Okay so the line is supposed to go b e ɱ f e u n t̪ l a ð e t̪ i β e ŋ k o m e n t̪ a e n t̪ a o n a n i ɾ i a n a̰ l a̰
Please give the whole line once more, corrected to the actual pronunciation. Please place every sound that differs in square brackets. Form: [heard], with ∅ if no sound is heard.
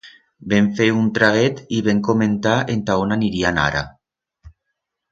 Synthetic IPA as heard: b e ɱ f e u n t̪ [ɾ] a [ɣ] e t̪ i β e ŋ k o m e n t̪ a e n t̪ a o n a n i ɾ i a n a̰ [ɾ] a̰